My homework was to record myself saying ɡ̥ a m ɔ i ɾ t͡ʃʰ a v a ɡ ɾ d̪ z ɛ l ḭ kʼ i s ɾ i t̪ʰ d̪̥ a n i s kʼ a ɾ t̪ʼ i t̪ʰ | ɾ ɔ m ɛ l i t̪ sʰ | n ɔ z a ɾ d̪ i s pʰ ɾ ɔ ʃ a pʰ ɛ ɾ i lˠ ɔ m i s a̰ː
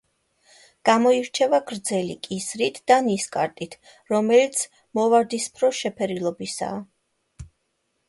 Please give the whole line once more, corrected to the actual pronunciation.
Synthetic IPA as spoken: ɡ̥ a m ɔ i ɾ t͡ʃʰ ɛ v a ɡ ɾ d̪ z ɛ l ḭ kʼ i s ɾ i t̪ʰ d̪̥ a n i s kʼ a ɾ t̪ʼ i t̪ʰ | ɾ ɔ m ɛ l i t̪ sʰ | m ɔ v a ɾ d̪ i s pʰ ɾ ɔ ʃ ɛ pʰ ɛ ɾ i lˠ ɔ b i s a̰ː